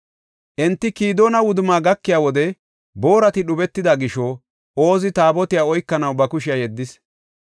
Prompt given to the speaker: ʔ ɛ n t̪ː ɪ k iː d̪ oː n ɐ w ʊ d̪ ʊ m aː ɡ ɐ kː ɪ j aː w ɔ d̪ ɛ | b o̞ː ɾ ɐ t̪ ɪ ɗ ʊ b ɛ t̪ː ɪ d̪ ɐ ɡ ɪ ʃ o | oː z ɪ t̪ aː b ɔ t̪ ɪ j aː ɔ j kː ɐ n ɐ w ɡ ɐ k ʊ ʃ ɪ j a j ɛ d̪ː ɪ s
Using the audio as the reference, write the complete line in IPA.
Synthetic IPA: ʔ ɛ n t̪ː ɪ k iː d̪ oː n ɐ w ʊ d̪ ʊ m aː ɡ ɐ kː ɪ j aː w ɔ d̪ ɛ | b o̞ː ɾ ɐ t̪ ɪ ɗ ʊ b ɛ t̪ː ɪ d̪ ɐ ɡ ɪ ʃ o | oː z ɪ t̪ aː b ɔ t̪ ɪ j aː ɔ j kː ɐ n ɐ w b ɐ k ʊ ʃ ɪ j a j ɛ d̪ː ɪ s